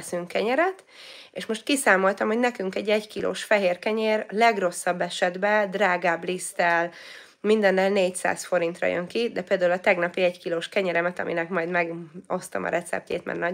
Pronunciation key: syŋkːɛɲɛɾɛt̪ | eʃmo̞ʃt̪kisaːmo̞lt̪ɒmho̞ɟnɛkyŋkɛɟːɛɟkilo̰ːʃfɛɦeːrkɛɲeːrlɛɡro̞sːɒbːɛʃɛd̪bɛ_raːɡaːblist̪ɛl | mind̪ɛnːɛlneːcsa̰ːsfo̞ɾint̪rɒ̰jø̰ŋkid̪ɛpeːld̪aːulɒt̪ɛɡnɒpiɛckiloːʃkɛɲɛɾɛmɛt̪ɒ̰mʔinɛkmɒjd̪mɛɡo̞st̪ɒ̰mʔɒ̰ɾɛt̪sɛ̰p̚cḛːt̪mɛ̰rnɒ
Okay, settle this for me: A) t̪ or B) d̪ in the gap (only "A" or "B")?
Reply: B